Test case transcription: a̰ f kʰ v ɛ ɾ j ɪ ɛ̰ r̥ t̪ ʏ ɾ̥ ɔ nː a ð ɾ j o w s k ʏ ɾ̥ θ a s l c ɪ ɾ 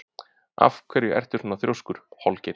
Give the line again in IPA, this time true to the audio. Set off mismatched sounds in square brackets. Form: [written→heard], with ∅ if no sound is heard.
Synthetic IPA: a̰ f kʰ v ɛ ɾ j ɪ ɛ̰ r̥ t̪ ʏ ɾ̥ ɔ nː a [ð→θ] ɾ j o w s k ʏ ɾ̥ [θ→h] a [s→∅] l c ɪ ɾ